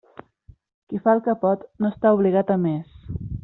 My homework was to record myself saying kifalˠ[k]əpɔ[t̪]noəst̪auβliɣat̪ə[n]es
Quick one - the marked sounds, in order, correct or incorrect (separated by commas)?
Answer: correct, correct, incorrect